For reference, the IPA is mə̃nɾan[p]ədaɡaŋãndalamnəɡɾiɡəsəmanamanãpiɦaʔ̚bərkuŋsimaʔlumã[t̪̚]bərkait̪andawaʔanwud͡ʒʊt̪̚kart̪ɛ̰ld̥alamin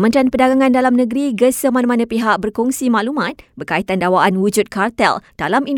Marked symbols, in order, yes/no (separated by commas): yes, yes